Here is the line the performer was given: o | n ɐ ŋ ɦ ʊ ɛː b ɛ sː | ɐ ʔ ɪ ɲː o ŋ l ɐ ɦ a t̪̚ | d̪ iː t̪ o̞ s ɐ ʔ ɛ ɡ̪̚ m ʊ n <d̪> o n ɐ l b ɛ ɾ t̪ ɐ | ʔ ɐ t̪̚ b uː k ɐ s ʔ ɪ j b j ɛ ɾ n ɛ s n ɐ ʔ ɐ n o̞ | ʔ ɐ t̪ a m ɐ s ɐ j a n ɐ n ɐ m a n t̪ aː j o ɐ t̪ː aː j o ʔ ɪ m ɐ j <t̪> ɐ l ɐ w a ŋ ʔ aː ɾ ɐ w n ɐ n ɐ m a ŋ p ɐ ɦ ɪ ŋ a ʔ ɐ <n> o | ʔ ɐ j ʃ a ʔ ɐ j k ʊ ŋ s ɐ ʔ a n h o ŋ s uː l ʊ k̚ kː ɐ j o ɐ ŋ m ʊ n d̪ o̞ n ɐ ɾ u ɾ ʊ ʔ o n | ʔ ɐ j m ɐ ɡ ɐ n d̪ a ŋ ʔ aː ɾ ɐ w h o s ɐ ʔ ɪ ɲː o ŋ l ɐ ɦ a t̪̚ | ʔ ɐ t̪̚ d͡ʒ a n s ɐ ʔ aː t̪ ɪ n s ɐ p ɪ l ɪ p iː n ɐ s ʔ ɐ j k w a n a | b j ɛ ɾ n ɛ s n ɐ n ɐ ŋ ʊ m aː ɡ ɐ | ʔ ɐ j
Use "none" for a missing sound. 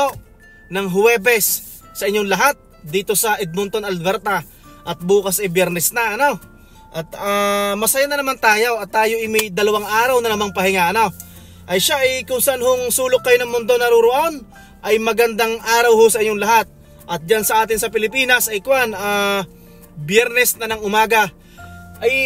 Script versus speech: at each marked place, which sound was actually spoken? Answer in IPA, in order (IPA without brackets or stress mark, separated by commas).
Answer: t̪, d̪, n